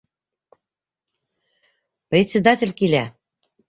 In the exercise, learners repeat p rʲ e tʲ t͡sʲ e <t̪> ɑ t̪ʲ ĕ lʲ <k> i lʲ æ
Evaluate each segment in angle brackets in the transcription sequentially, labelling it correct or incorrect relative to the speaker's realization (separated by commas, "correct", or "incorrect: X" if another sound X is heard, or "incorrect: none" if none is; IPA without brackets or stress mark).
incorrect: d̪, correct